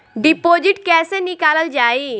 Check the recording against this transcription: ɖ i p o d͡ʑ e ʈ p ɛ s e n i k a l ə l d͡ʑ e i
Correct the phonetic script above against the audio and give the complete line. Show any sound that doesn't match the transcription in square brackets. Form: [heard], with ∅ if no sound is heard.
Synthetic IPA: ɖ i p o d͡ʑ [i] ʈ [k] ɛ s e n i k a l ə l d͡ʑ [a] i